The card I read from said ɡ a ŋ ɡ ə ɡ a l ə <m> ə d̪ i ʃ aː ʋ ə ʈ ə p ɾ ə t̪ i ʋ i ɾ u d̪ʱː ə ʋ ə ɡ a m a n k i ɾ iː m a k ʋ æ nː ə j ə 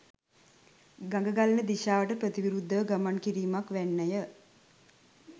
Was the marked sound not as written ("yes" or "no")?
yes